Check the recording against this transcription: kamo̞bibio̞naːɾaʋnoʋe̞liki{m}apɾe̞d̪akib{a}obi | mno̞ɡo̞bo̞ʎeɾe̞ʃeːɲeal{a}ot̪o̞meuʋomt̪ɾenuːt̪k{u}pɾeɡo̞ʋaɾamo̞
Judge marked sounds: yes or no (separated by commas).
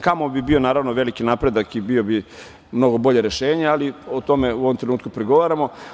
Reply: no, no, no, yes